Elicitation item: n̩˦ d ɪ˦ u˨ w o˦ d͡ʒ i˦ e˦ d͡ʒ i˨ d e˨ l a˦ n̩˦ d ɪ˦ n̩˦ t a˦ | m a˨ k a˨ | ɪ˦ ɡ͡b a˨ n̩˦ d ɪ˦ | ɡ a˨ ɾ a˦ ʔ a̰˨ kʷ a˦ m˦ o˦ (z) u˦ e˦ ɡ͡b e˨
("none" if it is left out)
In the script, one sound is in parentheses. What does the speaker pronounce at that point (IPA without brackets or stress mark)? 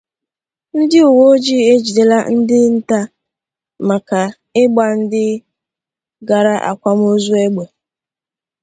z